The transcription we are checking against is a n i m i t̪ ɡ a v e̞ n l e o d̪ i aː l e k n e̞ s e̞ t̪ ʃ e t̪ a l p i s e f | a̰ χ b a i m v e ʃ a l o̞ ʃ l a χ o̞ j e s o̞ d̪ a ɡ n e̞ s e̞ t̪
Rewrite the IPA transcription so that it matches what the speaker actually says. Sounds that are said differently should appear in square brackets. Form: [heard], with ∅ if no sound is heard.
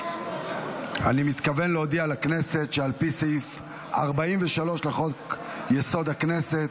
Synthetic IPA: a n i m i t̪ [k] a v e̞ n l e o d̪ i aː l [a] k n e̞ s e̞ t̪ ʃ e [∅] a l p i s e f | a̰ [ʁ] b a i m v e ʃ a l o̞ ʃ l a χ o̞ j e s o̞ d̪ a [k] n e̞ s e̞ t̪

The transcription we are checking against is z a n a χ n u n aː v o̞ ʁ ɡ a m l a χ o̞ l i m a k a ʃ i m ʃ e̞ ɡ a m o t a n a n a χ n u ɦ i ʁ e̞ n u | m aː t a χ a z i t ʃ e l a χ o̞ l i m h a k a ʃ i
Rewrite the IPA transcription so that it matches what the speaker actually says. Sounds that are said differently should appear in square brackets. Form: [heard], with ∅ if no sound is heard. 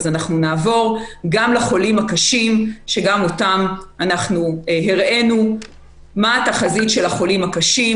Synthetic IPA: z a n a χ n u n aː v o̞ ʁ ɡ a m l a χ o̞ l i m a k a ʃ i m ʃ e̞ ɡ a m o t a [m] a n a χ n u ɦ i ʁ e̞ n u | m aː t a χ a z i t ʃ e l a χ o̞ l i m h a k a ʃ i

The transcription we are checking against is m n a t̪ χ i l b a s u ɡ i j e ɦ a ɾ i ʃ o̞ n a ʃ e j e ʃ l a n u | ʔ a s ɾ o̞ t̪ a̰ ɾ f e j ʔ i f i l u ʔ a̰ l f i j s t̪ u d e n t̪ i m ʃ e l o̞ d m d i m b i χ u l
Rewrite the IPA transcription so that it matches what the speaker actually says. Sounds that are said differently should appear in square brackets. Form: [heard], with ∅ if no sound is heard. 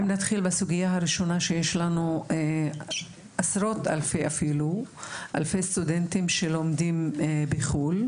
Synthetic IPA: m n a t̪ χ i l b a s u ɡ i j [a] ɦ a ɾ i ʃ o̞ n a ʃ e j e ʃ l a n u | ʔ a s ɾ o̞ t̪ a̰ [l] f e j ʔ [a] f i l u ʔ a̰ l f [e] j s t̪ u d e n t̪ i m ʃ e l o̞ [∅] m d i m b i χ u l

